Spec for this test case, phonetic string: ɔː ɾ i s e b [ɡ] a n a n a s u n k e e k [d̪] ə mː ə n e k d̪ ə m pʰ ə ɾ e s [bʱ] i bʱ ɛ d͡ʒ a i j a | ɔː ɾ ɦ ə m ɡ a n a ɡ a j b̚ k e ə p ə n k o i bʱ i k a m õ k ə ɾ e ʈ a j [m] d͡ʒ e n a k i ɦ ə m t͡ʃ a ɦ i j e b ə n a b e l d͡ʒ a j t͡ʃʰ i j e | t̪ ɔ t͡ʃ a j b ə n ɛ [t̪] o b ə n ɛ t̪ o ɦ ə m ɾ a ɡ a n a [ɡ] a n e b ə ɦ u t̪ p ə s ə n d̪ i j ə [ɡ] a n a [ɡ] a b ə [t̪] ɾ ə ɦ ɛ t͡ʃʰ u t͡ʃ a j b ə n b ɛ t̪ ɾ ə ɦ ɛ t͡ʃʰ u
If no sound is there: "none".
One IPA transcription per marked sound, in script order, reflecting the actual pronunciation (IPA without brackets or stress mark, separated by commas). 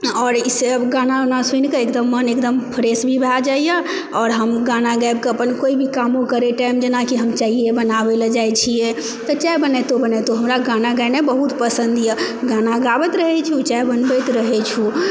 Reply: ɡ, d̪, bʱ, m, t̪, ɡ, ɡ, ɡ, t̪